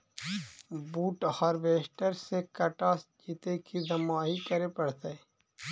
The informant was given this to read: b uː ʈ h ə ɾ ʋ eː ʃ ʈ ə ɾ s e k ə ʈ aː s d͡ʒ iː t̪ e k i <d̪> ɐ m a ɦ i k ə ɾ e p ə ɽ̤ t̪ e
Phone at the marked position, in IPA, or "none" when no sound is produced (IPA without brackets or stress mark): d̪